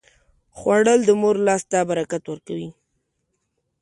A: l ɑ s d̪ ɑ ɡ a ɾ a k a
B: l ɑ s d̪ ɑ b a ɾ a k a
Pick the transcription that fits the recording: B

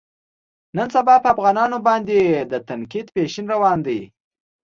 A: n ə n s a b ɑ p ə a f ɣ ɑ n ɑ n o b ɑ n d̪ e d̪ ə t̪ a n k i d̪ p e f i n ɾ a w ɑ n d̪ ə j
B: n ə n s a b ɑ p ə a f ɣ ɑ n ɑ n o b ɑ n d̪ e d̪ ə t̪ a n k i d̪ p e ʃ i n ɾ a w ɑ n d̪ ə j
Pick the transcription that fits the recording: B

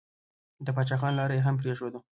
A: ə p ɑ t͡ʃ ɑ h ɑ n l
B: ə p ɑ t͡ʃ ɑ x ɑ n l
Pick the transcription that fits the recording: B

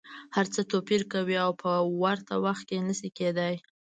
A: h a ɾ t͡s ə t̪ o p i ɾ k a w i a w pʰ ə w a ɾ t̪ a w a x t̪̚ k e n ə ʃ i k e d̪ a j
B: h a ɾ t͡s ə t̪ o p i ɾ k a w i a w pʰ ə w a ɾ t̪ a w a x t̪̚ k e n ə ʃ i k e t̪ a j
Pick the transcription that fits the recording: A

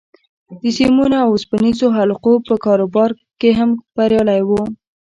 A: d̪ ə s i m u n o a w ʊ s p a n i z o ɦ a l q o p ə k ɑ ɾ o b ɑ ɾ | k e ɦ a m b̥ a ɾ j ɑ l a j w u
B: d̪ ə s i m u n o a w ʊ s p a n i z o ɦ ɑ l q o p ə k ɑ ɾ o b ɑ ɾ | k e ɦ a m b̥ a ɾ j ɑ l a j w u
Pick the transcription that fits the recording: A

